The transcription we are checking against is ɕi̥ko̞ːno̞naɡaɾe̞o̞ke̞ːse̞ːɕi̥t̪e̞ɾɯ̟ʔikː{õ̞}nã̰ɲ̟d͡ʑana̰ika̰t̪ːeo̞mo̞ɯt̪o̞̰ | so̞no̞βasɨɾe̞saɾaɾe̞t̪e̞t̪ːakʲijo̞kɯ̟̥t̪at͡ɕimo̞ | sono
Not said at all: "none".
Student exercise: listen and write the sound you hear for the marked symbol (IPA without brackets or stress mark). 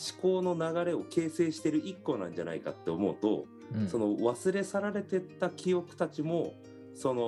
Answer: o̞